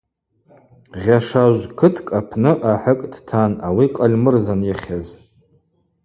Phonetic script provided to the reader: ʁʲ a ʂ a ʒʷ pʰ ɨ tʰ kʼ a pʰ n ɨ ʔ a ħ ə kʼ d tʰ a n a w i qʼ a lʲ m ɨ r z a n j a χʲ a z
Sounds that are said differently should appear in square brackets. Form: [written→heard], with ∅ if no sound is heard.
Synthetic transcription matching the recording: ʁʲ a ʂ a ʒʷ [pʰ→kʰ] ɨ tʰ kʼ a pʰ n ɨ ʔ a ħ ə kʼ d tʰ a n a w i qʼ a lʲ m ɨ r z a n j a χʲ a z